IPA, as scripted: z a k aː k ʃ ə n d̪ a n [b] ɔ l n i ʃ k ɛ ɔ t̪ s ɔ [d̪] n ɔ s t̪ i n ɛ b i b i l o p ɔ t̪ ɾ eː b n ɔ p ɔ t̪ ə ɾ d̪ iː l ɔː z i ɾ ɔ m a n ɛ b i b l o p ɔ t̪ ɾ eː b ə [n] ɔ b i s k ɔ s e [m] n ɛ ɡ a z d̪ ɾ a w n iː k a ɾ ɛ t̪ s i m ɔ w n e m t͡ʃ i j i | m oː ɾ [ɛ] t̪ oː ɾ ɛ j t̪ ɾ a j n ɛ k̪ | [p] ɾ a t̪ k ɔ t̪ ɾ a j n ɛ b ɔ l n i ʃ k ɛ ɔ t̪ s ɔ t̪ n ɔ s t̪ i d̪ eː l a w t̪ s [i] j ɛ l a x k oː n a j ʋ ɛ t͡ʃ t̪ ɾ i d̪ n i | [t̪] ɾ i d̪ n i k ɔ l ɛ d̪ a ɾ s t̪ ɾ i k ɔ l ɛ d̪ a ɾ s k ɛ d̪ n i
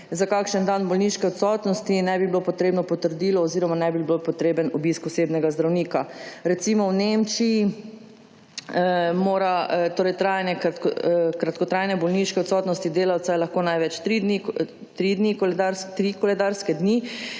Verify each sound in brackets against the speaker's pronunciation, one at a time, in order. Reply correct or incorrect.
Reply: correct, incorrect: t̪, correct, incorrect: b, incorrect: a, incorrect: k, incorrect: a, correct

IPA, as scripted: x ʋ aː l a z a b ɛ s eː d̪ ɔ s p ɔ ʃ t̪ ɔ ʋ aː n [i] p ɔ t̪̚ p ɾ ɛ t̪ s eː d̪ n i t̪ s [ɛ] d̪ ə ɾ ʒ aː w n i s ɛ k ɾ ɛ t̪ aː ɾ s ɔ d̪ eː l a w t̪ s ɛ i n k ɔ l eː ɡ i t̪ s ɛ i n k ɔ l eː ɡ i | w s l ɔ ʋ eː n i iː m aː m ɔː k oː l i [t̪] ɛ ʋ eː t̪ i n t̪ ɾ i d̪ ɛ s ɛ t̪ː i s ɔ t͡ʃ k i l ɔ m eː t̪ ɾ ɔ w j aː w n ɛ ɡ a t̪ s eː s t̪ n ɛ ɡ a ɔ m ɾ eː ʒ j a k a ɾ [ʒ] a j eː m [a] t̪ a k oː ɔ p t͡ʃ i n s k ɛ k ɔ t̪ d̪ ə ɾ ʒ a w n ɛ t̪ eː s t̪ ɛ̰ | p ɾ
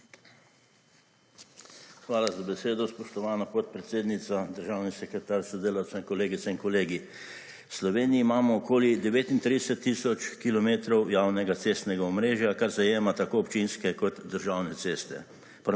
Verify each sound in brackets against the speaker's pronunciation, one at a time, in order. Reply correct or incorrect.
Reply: incorrect: a, incorrect: a, incorrect: d̪, incorrect: z, correct

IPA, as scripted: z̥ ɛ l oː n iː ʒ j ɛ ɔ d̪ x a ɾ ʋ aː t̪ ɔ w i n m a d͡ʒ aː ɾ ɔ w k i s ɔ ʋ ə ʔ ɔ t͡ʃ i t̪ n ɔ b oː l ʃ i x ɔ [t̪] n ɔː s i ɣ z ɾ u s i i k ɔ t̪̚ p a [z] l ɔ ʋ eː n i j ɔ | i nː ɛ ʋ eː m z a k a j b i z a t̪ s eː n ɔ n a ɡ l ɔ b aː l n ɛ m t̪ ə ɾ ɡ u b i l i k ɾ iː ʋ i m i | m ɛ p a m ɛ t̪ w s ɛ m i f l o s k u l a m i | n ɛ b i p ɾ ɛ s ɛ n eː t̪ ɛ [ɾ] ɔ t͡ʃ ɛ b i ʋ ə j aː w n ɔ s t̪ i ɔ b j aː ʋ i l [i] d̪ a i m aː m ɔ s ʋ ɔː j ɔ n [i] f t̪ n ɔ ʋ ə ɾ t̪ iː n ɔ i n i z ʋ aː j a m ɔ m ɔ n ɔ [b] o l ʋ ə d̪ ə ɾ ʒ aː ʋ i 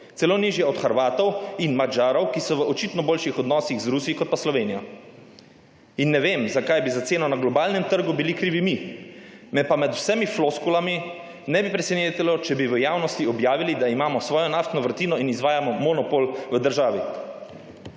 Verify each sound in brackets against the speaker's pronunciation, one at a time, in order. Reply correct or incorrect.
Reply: incorrect: d̪, incorrect: s, incorrect: l, correct, incorrect: a, incorrect: p

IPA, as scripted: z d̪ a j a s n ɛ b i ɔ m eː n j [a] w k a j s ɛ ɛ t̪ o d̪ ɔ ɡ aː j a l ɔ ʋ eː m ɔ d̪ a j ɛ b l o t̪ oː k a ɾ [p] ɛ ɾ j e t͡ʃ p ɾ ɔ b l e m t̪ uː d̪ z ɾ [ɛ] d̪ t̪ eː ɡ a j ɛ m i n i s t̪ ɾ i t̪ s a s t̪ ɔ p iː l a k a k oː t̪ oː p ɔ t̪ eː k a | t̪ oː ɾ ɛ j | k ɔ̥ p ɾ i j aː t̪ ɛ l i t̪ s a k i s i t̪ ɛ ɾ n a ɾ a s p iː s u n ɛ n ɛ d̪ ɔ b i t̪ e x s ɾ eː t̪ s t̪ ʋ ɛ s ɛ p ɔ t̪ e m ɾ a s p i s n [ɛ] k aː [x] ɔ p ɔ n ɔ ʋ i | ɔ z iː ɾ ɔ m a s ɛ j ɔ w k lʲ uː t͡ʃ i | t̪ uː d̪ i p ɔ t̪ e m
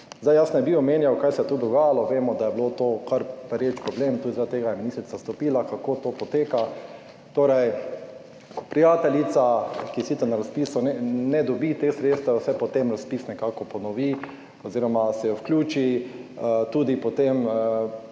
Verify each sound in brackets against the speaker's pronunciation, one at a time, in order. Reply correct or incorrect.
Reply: correct, correct, incorrect: a, correct, incorrect: k

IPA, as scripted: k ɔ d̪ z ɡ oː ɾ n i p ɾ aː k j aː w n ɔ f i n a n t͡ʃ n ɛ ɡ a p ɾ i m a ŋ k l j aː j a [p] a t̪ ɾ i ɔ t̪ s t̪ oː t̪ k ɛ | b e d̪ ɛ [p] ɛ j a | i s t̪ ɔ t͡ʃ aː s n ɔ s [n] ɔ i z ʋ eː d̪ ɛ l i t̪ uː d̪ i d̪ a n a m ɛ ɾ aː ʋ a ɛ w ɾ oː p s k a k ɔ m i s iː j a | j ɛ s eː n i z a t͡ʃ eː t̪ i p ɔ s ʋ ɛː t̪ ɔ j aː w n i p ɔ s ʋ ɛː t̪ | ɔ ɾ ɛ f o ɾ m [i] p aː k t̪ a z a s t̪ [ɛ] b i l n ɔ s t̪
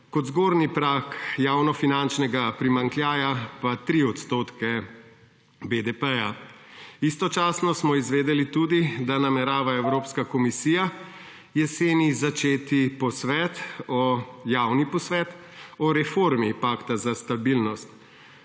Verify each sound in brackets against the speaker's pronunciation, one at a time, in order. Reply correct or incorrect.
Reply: correct, correct, incorrect: m, correct, incorrect: a

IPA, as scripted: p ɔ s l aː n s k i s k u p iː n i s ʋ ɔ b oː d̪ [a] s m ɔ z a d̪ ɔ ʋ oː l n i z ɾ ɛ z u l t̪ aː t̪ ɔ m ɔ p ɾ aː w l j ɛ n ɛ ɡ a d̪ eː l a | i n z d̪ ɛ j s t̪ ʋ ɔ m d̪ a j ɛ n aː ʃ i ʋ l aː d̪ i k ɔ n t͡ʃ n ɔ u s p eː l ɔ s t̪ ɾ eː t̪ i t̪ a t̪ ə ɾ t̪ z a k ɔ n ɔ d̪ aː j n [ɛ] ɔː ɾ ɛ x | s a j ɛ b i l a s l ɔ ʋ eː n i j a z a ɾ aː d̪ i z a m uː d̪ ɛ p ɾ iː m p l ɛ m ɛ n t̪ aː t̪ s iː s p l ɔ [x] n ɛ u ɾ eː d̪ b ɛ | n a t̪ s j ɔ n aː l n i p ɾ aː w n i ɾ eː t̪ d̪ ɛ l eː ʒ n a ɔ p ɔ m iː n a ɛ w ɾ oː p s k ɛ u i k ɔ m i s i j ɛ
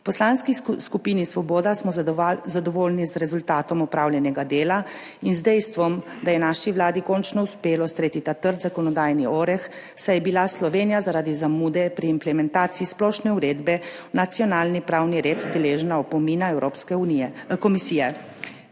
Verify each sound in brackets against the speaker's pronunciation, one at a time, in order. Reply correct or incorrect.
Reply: correct, incorrect: i, incorrect: ʃ

